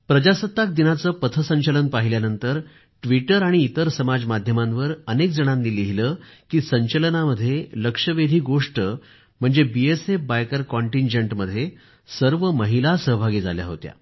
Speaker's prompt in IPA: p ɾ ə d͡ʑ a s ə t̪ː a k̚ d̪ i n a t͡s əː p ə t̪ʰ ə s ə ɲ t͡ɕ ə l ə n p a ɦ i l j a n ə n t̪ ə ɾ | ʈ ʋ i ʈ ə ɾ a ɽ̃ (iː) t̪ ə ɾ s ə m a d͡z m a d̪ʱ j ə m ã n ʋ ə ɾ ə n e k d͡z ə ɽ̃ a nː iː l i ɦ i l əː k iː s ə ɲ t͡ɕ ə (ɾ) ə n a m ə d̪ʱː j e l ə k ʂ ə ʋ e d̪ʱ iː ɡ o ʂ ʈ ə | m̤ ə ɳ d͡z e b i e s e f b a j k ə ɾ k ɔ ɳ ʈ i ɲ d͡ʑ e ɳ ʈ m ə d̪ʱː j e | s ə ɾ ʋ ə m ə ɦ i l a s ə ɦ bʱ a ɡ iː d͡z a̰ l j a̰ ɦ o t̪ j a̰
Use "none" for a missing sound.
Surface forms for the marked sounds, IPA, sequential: iː, l

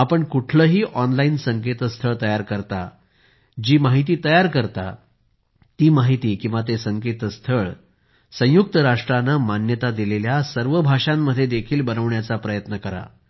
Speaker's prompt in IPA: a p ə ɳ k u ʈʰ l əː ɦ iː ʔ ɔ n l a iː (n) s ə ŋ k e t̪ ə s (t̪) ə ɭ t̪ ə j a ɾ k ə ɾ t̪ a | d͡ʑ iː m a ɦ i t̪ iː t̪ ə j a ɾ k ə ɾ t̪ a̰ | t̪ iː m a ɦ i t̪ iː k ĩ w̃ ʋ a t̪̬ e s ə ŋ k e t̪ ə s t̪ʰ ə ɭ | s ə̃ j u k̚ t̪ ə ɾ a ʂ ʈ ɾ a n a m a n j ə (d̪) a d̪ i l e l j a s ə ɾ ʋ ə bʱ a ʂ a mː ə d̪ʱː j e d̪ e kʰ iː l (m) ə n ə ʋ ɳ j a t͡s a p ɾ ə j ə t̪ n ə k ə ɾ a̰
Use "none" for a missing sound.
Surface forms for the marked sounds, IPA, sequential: n, t̪ʰ, t̪, b

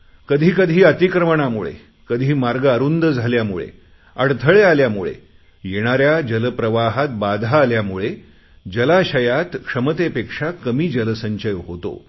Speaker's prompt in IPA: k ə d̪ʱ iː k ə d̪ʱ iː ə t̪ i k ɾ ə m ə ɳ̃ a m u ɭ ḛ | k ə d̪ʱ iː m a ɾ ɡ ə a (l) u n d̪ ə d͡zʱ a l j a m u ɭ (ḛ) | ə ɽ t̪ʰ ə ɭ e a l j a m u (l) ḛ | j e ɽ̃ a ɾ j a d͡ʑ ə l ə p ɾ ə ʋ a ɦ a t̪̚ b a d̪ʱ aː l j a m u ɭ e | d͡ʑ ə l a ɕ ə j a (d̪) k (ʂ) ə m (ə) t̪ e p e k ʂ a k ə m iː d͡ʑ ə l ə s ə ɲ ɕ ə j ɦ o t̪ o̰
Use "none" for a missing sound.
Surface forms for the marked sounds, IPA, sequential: ɾ, ḛ, ɭ, t̪, ʂ, ə

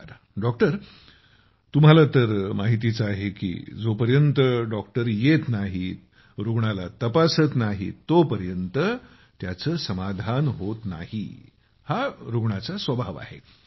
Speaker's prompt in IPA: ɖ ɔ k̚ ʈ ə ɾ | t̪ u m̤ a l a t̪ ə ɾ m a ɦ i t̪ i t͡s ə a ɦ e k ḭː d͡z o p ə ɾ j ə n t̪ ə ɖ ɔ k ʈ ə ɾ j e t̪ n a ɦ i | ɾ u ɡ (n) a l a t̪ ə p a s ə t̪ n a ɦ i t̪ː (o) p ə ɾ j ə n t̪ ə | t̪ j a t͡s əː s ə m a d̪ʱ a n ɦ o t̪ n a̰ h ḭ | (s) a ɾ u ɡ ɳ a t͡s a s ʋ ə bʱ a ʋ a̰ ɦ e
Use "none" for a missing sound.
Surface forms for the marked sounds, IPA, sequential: ɳ, o, h

